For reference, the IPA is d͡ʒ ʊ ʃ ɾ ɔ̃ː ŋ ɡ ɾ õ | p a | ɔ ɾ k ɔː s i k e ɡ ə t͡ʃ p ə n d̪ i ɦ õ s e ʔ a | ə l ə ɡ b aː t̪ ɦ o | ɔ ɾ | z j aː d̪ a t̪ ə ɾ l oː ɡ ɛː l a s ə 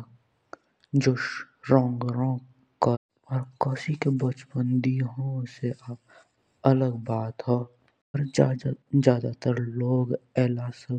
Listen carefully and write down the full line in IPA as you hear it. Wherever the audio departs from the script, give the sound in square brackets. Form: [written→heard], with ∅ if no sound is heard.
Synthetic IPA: d͡ʒ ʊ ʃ ɾ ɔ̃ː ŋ ɡ ɾ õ | [p→k] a | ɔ ɾ k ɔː s i k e [ɡ→b] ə t͡ʃ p ə n d̪ i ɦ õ s e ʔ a | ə l ə ɡ b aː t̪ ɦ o | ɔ ɾ | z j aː d̪ a t̪ ə ɾ l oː ɡ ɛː l a s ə

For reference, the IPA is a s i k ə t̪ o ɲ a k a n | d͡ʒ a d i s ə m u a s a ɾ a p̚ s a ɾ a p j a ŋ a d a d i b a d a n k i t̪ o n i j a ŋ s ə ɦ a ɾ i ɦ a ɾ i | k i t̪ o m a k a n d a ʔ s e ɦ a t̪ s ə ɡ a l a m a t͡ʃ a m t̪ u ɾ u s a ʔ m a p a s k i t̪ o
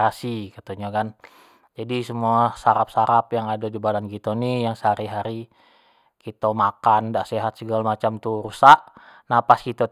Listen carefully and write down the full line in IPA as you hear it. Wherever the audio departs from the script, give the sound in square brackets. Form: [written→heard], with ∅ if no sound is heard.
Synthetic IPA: a s i k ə t̪ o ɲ a k a n | d͡ʒ a d i s ə m u a s a ɾ a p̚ s a ɾ a p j a ŋ a d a d i b a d a n k i t̪ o n i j a ŋ s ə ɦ a ɾ i ɦ a ɾ i | k i t̪ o m a k a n d a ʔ s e ɦ a t̪ s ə ɡ a l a m a t͡ʃ a m t̪ u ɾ u s a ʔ [m→n] a p a s k i t̪ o

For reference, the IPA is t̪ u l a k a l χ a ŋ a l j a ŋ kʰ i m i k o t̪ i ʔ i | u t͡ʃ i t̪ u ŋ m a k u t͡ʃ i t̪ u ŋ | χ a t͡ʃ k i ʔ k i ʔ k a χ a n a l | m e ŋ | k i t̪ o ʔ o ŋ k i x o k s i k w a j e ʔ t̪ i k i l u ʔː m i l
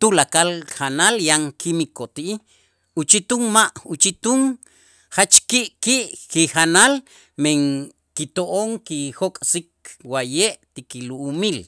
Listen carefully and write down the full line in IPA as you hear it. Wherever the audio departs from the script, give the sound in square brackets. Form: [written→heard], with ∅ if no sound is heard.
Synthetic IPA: t̪ u l a k a l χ a [ŋ→n] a l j a ŋ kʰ i m i k o t̪ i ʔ i | u t͡ʃ i t̪ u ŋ m a [k→ʔ] u t͡ʃ i t̪ u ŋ | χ a t͡ʃ k i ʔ k i ʔ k [a→i] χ a n a l | m e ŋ | k i t̪ o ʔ o ŋ k i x o [k→kʼ] s i k w a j e ʔ t̪ i k i l u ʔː m i l

